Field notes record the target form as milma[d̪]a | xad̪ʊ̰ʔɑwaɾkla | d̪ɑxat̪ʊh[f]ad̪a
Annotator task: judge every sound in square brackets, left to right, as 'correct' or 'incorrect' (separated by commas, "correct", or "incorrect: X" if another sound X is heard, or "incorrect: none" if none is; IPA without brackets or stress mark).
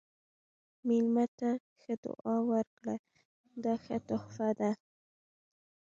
incorrect: t̪, correct